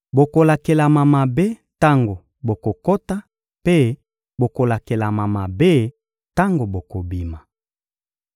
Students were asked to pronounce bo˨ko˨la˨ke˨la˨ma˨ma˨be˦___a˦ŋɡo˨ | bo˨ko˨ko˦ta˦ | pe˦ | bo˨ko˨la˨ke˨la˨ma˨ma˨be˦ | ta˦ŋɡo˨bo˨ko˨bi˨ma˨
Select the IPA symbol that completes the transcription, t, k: t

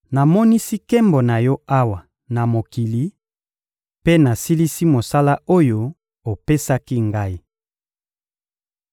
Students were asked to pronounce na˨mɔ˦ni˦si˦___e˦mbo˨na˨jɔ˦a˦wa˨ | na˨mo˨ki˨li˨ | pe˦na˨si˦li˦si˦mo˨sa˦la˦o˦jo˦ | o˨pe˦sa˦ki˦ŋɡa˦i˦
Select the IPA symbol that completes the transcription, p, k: k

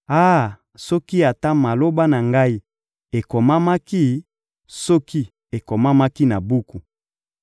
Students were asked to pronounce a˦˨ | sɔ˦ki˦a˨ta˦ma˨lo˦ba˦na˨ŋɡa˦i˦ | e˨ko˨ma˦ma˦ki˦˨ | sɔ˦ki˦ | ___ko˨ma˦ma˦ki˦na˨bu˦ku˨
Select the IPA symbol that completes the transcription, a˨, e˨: e˨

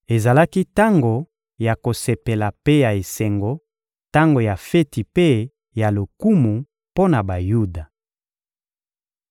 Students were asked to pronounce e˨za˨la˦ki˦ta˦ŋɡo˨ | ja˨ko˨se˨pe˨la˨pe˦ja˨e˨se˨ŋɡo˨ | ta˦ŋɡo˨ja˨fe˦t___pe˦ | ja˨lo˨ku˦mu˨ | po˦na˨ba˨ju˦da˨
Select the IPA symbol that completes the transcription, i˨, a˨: i˨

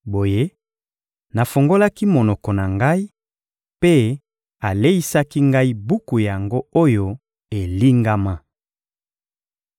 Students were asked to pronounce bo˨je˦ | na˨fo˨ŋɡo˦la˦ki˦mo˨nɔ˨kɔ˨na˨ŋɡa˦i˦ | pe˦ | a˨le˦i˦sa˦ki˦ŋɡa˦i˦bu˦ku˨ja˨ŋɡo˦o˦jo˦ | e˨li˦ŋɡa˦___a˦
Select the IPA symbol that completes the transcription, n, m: m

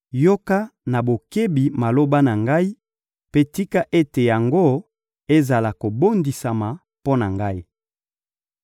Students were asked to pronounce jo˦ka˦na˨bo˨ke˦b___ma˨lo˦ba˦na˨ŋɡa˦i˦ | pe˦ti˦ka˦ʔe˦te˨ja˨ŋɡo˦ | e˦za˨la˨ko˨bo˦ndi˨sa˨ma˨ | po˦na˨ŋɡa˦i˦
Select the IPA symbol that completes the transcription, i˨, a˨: i˨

